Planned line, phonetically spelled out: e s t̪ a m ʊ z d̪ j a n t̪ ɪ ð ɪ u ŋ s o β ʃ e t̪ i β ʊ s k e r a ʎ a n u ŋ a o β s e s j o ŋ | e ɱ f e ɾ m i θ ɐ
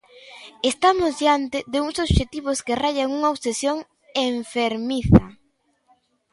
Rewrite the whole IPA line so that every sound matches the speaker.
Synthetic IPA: e s t̪ a m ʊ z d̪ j a n t̪ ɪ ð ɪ u ŋ s o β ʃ e t̪ i β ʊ s k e r a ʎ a ŋ u ŋ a o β s e s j o ŋ | e ɱ f e ɾ m i θ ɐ